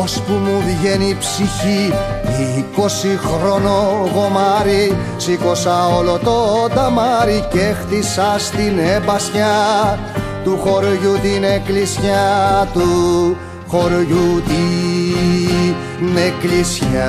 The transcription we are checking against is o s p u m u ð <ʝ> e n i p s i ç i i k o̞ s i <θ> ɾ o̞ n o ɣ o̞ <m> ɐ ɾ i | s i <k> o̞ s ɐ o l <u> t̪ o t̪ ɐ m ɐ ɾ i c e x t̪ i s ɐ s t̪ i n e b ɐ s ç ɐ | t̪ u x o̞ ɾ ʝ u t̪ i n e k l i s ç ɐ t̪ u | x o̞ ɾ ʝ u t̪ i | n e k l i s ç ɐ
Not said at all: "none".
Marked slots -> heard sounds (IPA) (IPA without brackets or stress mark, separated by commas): ʝ, x, m, k, o